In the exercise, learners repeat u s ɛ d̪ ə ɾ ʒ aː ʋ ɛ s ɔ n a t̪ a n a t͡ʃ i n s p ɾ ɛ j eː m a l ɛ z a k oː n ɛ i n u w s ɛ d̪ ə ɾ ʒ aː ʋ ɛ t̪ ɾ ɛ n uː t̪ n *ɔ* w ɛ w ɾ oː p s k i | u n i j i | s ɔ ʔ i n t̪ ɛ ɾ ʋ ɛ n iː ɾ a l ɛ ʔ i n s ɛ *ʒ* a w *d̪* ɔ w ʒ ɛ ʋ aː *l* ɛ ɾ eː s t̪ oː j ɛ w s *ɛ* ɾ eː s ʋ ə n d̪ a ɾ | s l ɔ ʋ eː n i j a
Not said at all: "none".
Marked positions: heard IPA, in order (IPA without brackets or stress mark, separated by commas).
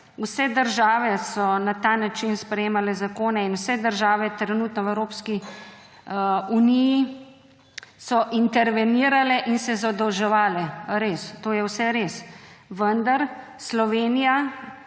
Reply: ɔ, z, d̪, l, ɛ